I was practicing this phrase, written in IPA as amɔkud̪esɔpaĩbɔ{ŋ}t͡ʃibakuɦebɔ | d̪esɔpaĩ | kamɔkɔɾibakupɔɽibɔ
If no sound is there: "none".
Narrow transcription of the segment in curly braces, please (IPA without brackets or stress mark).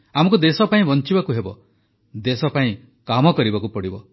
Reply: n